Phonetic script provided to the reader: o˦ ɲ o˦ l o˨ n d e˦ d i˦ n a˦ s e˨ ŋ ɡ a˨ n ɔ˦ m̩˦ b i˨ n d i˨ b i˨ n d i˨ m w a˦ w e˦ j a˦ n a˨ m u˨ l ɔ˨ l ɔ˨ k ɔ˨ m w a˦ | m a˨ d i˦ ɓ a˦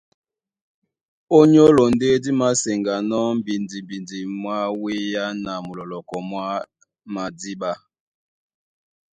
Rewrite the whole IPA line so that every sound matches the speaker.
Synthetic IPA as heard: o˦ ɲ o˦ l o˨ n d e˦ d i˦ m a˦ s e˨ ŋ ɡ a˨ n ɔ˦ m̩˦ b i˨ n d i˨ b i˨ n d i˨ m w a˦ w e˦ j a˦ n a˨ m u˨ l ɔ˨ l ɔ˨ k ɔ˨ m w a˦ | m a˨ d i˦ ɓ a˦